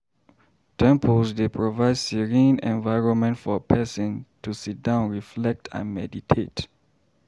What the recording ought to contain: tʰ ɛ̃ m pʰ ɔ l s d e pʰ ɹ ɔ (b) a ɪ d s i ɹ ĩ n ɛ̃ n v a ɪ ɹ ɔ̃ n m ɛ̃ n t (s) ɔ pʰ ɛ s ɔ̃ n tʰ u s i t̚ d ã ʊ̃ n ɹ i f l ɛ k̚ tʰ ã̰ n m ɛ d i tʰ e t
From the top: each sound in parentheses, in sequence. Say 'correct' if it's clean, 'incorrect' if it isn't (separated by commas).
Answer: incorrect, incorrect